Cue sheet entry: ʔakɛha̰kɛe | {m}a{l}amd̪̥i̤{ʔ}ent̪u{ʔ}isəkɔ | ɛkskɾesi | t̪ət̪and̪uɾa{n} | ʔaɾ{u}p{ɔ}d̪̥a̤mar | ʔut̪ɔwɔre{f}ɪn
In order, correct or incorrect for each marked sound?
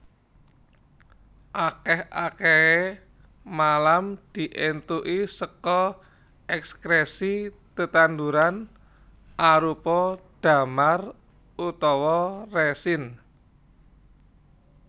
correct, correct, correct, correct, correct, correct, correct, incorrect

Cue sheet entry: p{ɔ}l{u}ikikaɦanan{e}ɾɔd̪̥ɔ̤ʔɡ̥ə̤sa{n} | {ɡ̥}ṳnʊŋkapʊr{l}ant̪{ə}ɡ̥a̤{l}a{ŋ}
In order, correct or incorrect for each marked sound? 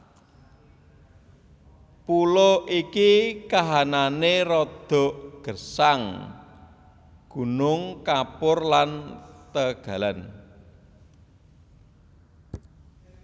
incorrect, incorrect, correct, incorrect, correct, correct, correct, correct, incorrect

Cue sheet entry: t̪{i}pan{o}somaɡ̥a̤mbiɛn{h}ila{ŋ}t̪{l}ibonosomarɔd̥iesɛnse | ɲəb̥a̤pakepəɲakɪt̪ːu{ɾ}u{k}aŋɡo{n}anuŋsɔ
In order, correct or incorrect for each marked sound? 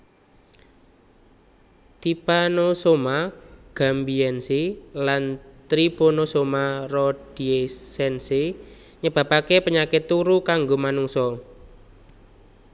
correct, correct, incorrect, incorrect, incorrect, correct, correct, incorrect

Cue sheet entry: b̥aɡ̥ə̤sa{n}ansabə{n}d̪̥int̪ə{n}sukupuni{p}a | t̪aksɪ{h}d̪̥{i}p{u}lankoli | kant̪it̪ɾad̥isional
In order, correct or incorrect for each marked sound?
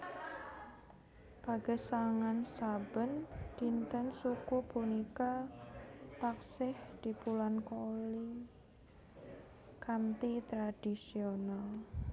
incorrect, correct, correct, incorrect, correct, correct, correct

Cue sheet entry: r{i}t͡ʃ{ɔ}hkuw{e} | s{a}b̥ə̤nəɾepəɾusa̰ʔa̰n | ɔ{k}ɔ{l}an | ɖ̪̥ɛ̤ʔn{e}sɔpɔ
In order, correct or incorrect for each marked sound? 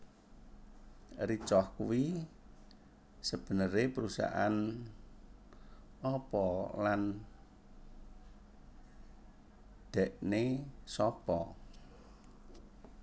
correct, correct, incorrect, incorrect, incorrect, correct, correct

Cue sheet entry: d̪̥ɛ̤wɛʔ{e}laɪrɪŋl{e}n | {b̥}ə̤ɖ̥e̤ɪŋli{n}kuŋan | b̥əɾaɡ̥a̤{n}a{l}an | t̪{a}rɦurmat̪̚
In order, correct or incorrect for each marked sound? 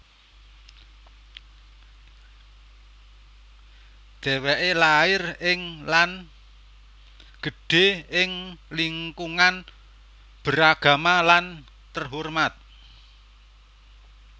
correct, incorrect, incorrect, incorrect, incorrect, correct, incorrect

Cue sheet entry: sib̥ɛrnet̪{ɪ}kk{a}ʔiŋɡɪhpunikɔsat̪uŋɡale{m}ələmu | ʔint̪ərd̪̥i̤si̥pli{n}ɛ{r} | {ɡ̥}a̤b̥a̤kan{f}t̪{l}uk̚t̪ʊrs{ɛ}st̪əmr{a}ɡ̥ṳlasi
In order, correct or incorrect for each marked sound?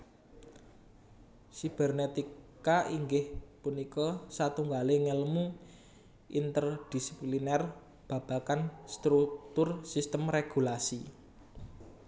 incorrect, correct, incorrect, correct, correct, incorrect, incorrect, incorrect, incorrect, incorrect

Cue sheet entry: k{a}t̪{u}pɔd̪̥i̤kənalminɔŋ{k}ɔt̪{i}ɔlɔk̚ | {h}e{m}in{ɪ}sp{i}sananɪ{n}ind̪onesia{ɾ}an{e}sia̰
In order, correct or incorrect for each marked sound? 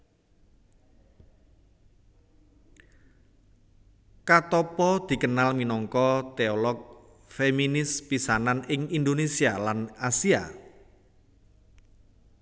correct, incorrect, correct, incorrect, incorrect, correct, correct, correct, incorrect, incorrect, incorrect

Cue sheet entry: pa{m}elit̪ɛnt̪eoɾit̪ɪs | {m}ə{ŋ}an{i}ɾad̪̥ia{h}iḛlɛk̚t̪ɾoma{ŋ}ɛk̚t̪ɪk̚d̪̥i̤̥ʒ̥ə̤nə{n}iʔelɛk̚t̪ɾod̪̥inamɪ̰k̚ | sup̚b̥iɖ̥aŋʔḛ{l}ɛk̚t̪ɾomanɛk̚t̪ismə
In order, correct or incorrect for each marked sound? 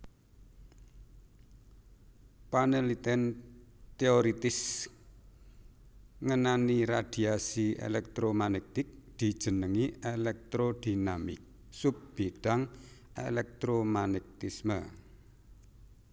incorrect, incorrect, incorrect, correct, incorrect, incorrect, incorrect, correct

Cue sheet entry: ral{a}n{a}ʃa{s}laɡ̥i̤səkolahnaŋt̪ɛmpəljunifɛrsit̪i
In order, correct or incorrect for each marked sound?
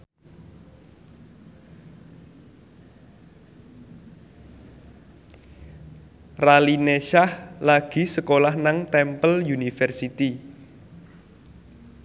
incorrect, incorrect, incorrect

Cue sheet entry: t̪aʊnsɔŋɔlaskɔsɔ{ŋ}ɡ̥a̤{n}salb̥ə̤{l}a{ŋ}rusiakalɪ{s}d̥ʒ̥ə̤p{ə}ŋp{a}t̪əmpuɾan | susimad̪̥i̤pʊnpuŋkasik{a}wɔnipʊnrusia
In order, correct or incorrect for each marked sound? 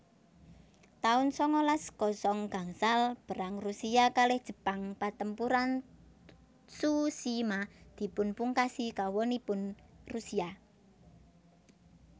correct, incorrect, incorrect, correct, incorrect, incorrect, correct, correct

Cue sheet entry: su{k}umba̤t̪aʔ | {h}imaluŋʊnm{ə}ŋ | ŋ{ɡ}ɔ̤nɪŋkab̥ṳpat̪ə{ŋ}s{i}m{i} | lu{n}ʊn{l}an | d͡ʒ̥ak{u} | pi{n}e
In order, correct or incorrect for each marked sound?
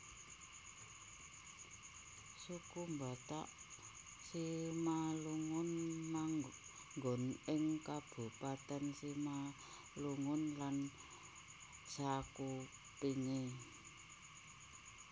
correct, incorrect, incorrect, correct, incorrect, correct, incorrect, incorrect, correct, correct, incorrect

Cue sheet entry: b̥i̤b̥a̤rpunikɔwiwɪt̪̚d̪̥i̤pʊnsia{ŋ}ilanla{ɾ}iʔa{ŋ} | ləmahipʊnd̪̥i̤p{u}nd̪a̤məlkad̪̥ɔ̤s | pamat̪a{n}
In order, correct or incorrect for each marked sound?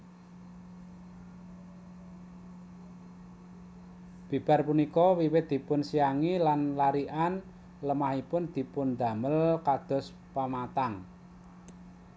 correct, correct, incorrect, incorrect, incorrect

